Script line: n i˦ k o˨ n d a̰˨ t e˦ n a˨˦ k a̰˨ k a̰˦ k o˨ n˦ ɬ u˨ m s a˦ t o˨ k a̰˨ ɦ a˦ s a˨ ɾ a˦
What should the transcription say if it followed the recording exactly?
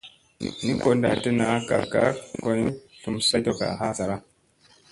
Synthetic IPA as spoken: n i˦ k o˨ n d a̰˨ t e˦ n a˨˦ k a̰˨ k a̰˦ k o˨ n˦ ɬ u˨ m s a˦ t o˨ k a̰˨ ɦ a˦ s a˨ ɾ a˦